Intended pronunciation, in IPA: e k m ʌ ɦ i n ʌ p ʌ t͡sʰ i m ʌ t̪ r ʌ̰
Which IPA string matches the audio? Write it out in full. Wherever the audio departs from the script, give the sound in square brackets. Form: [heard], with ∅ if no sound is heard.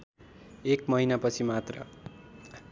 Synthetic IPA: e k m ʌ ɦ i n [a] p ʌ t͡sʰ i m [a] t̪ r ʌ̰